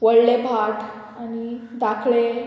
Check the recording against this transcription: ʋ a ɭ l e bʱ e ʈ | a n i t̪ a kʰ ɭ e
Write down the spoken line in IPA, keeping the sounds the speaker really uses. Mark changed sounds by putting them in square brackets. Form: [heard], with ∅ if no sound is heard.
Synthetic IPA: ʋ [ə] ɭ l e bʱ [a] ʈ | a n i [d̪] a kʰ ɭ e